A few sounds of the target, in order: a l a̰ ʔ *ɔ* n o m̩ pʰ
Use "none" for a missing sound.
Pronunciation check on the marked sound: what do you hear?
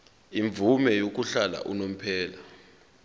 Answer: u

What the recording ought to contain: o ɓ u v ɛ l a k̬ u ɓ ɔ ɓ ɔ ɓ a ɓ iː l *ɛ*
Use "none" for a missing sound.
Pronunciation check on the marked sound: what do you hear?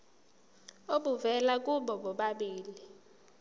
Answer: i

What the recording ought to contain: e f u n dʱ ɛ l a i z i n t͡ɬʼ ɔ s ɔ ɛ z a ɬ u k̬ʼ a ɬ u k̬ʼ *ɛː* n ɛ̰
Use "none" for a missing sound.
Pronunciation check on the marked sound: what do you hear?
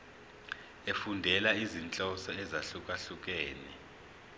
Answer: ɛː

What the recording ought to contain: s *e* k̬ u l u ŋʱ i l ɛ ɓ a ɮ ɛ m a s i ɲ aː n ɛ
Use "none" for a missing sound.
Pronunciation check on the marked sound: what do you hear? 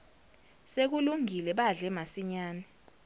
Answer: e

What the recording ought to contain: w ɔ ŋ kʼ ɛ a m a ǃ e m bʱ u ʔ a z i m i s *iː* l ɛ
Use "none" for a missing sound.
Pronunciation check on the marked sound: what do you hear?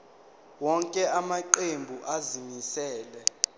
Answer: ɛː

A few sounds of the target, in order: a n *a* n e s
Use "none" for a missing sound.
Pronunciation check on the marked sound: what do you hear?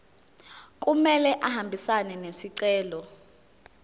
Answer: ɛ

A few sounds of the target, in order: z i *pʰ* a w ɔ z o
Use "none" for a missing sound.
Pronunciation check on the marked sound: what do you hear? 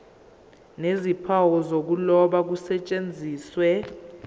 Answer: pʰ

